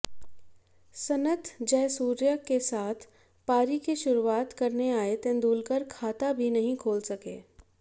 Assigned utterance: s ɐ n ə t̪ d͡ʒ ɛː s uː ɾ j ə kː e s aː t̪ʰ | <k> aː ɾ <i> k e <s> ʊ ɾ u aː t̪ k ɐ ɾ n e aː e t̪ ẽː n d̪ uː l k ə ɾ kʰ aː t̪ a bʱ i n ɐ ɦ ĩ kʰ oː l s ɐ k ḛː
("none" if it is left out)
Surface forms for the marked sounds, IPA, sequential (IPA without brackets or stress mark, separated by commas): p, i, ʃ